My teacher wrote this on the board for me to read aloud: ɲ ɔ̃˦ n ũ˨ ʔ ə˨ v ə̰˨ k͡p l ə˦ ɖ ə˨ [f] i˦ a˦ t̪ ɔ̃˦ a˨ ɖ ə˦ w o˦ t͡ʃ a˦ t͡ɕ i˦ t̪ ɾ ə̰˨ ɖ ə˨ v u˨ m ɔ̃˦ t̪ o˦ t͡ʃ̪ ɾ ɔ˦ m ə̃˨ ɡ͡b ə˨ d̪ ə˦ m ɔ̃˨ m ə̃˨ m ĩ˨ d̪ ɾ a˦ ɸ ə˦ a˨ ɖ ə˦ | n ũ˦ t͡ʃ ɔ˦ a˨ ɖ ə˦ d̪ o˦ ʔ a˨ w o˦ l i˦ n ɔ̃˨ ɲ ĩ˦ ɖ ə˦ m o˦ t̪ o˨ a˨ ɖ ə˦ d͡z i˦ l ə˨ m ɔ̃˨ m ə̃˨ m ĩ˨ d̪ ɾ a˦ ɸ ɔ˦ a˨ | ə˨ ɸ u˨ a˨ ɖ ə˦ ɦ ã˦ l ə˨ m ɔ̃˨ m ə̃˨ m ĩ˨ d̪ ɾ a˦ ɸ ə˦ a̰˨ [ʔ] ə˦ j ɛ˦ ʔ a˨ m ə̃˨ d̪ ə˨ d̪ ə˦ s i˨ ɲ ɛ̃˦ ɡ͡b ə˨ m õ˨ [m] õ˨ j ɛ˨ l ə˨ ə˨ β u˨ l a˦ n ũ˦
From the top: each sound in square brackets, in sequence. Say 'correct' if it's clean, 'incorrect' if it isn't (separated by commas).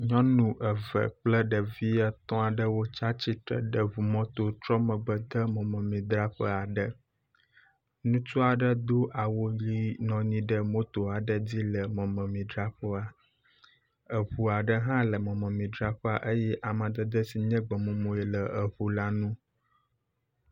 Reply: incorrect, correct, correct